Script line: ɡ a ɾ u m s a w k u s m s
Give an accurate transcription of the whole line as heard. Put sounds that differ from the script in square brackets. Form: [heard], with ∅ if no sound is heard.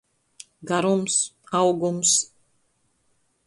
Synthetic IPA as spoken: ɡ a ɾ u m s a w [ɡ] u [∅] m s